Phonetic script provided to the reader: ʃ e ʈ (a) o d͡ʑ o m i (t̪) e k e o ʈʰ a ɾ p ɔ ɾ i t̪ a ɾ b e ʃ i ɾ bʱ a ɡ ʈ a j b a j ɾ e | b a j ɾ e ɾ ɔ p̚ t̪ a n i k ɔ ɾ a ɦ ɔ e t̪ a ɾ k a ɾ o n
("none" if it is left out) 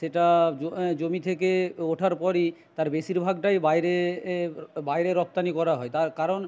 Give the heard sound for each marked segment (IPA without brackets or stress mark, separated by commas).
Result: a, t̪ʰ